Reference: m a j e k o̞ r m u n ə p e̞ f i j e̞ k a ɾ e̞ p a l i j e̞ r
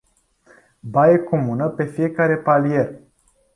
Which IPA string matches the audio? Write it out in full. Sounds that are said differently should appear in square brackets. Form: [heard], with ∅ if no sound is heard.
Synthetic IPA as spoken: [b] a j e k o̞ [∅] m u n ə p e̞ f i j e̞ k a ɾ e̞ p a l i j e̞ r